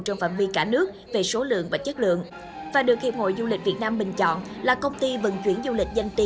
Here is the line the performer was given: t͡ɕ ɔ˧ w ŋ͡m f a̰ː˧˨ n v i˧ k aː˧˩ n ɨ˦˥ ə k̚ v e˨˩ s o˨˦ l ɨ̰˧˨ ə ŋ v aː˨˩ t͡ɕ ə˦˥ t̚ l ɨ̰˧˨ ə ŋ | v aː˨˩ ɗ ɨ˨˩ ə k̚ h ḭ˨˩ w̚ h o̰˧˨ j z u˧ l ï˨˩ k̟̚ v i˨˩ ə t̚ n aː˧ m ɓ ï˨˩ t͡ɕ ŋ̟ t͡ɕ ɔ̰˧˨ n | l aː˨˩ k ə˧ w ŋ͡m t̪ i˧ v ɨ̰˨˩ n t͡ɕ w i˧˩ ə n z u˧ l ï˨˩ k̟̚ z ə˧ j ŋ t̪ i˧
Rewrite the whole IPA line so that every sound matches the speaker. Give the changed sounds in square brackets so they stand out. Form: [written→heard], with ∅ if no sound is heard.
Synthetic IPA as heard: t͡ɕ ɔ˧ w ŋ͡m f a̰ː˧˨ n v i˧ k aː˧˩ n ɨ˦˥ ə k̚ v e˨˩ s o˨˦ l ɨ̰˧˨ ə ŋ v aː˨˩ t͡ɕ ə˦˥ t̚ l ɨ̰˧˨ ə ŋ | v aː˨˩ ɗ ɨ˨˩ ə k̚ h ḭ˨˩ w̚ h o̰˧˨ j z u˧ l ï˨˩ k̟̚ v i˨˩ ə t̚ n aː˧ m ɓ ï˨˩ [t͡ɕ→∅] ŋ̟ t͡ɕ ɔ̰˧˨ n | l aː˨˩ k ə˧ w ŋ͡m t̪ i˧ v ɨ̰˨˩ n t͡ɕ w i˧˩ ə n z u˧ l ï˨˩ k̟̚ z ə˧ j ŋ t̪ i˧

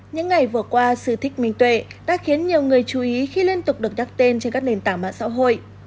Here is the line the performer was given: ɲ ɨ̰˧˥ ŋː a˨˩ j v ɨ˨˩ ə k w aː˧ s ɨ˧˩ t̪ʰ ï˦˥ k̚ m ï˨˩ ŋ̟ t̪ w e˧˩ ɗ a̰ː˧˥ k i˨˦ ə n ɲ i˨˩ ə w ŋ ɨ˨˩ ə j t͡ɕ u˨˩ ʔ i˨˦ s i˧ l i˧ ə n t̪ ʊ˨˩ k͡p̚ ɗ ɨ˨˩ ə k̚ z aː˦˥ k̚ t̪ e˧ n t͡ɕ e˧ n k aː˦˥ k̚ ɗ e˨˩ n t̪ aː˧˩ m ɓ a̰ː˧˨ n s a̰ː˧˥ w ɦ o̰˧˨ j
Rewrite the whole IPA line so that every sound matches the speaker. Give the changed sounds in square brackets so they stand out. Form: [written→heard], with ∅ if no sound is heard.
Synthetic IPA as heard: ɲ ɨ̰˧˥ ŋː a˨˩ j v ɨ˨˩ ə k w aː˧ s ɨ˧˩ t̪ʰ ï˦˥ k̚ m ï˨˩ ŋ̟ t̪ w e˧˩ ɗ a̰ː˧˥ [k→x] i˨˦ ə n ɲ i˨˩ ə w ŋ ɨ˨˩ ə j t͡ɕ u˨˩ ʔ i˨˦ [s→x] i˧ l i˧ ə n t̪ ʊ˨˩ k͡p̚ ɗ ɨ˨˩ ə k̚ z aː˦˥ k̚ t̪ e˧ n t͡ɕ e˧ n k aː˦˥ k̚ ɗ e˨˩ n t̪ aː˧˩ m ɓ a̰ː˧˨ n s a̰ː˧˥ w ɦ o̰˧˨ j

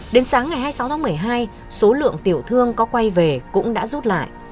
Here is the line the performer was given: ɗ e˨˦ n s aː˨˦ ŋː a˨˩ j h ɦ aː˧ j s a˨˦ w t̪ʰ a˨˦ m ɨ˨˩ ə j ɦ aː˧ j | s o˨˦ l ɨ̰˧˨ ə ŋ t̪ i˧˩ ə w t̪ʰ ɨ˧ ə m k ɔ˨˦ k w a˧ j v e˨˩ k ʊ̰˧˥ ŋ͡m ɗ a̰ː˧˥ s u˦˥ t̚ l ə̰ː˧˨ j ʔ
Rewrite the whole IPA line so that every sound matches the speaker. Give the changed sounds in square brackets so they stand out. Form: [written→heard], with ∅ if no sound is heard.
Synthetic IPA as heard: ɗ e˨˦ n s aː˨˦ ŋː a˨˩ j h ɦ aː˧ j s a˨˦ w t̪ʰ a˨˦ m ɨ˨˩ ə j ɦ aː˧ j | s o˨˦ l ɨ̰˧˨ ə ŋ t̪ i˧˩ ə w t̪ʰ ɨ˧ ə [m→ŋ] k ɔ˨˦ k w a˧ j v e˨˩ k ʊ̰˧˥ ŋ͡m ɗ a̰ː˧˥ [s→z] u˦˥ t̚ l [ə̰ː˧˨→a̰ː˧˨] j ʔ

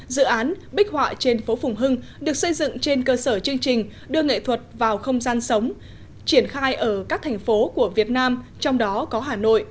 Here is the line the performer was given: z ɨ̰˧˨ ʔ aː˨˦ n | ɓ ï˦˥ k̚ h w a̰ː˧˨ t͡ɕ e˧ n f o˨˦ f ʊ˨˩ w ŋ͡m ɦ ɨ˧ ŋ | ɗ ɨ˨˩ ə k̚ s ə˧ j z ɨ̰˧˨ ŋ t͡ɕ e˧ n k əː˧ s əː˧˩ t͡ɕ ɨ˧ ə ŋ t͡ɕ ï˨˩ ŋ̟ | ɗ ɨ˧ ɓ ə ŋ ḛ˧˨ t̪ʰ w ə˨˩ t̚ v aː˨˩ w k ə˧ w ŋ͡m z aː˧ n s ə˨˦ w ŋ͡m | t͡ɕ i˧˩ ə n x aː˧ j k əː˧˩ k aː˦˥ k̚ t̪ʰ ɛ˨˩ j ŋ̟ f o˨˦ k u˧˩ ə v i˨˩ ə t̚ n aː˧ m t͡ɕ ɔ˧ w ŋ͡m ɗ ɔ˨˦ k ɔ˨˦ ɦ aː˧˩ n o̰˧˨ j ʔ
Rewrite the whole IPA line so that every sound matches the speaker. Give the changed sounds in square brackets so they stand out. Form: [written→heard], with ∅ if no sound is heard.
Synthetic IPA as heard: z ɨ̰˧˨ ʔ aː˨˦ n | ɓ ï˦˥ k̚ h w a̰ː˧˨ t͡ɕ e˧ n f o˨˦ f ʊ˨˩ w ŋ͡m ɦ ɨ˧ ŋ | ɗ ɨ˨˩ ə k̚ s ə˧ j z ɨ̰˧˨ ŋ t͡ɕ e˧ n k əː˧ s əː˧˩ t͡ɕ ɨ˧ ə ŋ t͡ɕ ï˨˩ ŋ̟ | ɗ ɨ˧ [ɓ→∅] ə ŋ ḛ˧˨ t̪ʰ w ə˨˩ t̚ v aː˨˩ w [k→x] ə˧ w ŋ͡m z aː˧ n s ə˨˦ w ŋ͡m | t͡ɕ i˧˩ ə n x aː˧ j [k→ʔ] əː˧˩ k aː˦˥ k̚ t̪ʰ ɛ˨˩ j ŋ̟ f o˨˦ k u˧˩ ə v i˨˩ ə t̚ n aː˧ m t͡ɕ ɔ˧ w ŋ͡m ɗ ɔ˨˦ k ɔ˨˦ ɦ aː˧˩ n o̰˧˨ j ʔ

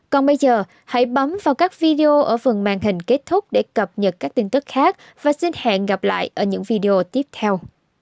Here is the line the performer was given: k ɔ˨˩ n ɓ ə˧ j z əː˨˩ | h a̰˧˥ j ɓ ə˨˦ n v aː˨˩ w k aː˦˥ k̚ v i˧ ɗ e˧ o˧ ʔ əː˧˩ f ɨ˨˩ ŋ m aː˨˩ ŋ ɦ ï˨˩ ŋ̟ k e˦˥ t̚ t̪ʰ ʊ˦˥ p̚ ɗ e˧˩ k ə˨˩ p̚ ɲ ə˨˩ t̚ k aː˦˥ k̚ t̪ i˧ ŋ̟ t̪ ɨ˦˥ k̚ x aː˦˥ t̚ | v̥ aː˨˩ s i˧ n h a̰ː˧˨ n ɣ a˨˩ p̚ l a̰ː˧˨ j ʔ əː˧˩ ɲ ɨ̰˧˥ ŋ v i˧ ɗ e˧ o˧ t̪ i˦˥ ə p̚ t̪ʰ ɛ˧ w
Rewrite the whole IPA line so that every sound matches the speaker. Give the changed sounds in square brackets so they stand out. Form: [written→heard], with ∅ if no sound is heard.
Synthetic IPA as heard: k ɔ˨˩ n ɓ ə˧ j z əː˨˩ | h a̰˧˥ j ɓ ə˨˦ [n→m] v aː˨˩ w k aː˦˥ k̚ v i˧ ɗ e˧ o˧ ʔ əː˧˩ f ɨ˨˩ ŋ m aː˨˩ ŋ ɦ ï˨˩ ŋ̟ k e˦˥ t̚ t̪ʰ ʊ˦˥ [p̚→k͡p̚] ɗ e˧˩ k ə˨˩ p̚ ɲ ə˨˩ t̚ k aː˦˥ k̚ t̪ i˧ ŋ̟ t̪ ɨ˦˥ k̚ x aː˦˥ [t̚→k̚] | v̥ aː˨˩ s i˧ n h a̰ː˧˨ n ɣ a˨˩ p̚ l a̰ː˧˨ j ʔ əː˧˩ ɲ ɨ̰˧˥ ŋ v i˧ ɗ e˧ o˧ t̪ i˦˥ ə p̚ t̪ʰ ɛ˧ w

